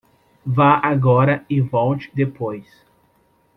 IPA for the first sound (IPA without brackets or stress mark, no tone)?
v